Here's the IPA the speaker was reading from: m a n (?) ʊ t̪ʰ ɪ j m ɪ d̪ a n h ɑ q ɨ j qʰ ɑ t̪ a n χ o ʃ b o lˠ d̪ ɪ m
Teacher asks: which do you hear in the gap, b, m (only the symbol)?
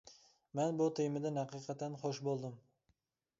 b